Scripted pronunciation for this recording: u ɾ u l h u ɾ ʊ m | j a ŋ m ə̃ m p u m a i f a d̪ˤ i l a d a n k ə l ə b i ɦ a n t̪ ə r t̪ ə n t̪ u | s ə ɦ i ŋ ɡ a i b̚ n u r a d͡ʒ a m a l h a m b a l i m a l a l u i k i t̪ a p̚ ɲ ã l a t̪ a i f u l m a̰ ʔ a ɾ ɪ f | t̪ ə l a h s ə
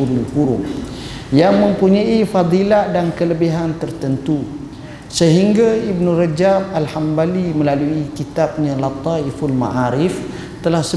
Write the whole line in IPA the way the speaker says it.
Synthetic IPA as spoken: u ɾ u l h u ɾ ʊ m | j a ŋ m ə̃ m p u ɲ a i f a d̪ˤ i l a d a n k ə l ə b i ɦ a n t̪ ə r t̪ ə n t̪ u | s ə ɦ i ŋ ɡ a i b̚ n u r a d͡ʒ a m a l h a m b a l i m ə l a l u i k i t̪ a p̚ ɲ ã l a t̪ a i f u l m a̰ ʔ a ɾ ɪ f | t̪ ə l a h s ə